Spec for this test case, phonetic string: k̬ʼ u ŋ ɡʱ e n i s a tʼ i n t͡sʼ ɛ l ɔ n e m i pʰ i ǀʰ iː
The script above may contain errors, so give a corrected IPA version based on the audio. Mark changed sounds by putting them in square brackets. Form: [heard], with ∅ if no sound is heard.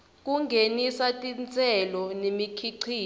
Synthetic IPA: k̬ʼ u ŋ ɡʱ e n i s a tʼ i n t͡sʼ ɛ l ɔ n e m i [kʰ] i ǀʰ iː